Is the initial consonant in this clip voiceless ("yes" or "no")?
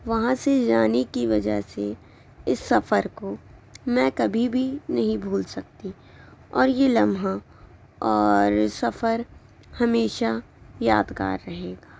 no